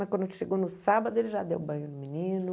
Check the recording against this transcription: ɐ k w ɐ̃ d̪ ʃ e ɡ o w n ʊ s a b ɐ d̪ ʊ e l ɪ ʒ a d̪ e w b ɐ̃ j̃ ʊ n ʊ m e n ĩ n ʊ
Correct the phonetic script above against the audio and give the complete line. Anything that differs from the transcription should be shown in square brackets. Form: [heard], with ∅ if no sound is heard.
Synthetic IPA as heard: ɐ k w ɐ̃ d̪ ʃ e ɡ o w n ʊ s a b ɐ d̪ ʊ e l ɪ ʒ a d̪ e w b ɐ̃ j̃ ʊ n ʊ m [i] n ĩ n ʊ